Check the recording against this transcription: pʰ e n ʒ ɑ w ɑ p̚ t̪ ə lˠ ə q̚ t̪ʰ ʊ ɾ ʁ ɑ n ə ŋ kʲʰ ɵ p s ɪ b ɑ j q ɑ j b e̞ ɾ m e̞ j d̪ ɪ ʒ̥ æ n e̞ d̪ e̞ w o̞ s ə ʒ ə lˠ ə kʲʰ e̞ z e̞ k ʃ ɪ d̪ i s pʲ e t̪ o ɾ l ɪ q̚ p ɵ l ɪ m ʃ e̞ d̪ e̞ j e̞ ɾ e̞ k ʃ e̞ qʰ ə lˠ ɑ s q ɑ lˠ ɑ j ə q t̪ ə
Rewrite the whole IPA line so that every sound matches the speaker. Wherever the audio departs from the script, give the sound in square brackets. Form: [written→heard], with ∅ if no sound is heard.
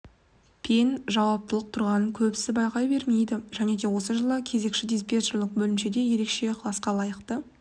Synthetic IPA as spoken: pʰ e n ʒ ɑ w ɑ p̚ t̪ ə lˠ ə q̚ t̪ʰ ʊ ɾ ʁ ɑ n ə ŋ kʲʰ ɵ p s ɪ b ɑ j q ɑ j b e̞ ɾ m e̞ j d̪ ɪ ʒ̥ æ n e̞ d̪ e̞ w o̞ s ə ʒ ə lˠ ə kʲʰ e̞ z e̞ k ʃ ɪ d̪ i s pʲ e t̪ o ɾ l ɪ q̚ [p→b] ɵ l ɪ m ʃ e̞ d̪ e̞ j e̞ ɾ e̞ k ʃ e̞ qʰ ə lˠ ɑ s q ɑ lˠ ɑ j ə q t̪ ə